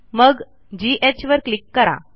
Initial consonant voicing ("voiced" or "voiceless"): voiced